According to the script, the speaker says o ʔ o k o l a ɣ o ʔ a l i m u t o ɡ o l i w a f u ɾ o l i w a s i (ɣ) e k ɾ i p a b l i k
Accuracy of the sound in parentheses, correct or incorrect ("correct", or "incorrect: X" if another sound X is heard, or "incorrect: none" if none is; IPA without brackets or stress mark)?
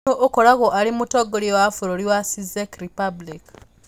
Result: incorrect: z